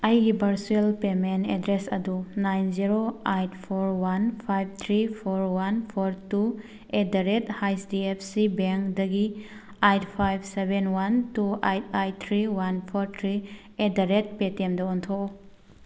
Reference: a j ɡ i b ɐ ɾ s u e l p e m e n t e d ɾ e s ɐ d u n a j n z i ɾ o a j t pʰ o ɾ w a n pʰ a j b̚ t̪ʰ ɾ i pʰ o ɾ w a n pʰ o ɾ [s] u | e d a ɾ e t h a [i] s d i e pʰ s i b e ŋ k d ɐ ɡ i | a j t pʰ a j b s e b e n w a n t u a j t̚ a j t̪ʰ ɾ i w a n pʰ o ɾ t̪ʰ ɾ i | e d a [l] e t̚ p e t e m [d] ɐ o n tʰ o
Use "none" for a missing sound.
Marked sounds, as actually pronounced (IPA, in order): t, j, ɾ, d

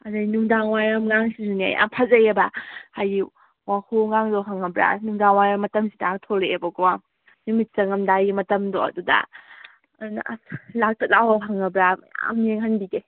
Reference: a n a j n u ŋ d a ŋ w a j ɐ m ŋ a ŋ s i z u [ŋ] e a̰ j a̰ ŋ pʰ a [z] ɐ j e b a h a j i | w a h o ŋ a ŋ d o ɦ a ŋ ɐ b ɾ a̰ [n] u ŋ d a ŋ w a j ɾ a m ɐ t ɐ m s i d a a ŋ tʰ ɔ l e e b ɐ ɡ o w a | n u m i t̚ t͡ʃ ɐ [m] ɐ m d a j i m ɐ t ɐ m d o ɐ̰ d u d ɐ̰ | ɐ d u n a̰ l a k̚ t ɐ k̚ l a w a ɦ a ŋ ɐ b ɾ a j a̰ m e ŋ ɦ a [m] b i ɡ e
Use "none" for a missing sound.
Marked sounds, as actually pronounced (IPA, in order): n, z, n, ŋ, n

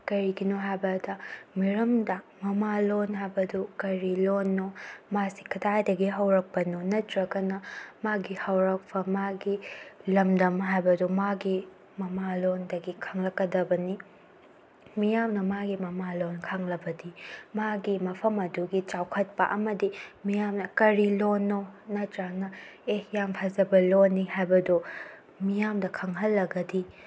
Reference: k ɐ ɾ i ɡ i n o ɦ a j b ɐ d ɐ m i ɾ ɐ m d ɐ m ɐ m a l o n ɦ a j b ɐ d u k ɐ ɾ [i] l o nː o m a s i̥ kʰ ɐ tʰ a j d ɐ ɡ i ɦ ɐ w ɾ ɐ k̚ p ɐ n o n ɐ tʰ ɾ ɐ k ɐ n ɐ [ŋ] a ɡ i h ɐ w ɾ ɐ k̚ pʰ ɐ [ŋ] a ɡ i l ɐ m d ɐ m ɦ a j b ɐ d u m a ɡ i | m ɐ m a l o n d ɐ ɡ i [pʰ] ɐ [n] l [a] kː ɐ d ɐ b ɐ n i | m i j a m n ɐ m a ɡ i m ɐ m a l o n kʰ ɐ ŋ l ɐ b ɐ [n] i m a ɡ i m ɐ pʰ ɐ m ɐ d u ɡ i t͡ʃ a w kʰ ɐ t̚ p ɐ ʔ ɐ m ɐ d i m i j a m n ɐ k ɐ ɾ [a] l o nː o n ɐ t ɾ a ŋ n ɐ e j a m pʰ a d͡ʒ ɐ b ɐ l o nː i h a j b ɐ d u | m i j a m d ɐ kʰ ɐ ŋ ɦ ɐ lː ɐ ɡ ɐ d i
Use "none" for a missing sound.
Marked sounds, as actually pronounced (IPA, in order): i, m, m, kʰ, ŋ, ɐ, d, i

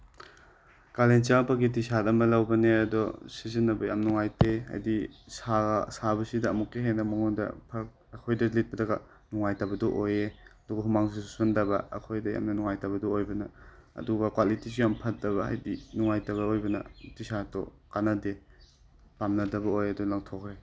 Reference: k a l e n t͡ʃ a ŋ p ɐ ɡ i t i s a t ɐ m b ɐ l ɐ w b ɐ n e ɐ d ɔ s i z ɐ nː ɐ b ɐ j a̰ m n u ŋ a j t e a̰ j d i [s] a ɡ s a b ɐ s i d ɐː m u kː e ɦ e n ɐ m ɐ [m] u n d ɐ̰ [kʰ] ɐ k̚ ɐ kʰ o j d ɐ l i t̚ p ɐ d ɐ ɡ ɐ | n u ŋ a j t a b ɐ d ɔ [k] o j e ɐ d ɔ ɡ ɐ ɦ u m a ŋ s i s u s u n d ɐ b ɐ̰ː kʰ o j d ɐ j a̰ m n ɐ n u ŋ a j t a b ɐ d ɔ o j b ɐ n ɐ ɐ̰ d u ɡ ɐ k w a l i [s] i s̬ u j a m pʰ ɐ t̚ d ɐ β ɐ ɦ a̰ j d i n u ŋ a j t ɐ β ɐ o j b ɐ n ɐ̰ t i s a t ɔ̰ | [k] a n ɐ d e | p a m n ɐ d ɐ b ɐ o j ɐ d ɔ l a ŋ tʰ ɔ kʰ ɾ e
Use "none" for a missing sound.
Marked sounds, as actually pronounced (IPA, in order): s, ŋ, pʰ, ʔ, t, k

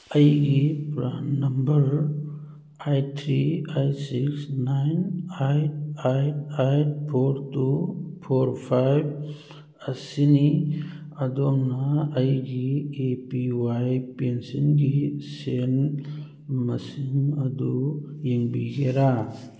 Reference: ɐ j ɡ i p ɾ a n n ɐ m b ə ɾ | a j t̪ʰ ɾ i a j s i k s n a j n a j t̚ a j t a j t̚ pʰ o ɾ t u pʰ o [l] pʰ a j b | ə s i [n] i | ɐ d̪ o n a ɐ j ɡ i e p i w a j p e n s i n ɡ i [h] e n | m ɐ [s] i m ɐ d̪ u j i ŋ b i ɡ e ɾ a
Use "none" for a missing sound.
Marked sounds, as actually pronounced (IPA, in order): ɾ, n, s, s

